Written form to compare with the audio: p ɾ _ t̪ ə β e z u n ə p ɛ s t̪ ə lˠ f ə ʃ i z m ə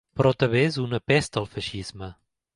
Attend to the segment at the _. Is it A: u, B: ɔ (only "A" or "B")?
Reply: B